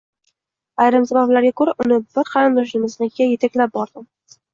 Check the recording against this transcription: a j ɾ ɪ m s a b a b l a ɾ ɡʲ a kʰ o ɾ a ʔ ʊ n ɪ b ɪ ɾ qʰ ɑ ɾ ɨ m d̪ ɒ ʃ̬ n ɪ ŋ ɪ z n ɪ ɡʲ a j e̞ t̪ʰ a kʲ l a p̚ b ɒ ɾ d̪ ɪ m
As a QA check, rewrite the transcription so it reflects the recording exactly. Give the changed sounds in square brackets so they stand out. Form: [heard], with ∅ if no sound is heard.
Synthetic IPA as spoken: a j ɾ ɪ m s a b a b l a ɾ ɡʲ a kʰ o ɾ a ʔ ʊ n ɪ b ɪ ɾ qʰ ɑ ɾ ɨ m d̪ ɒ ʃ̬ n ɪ [m] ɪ z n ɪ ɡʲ a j e̞ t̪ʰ a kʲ l a p̚ b ɒ ɾ d̪ ɪ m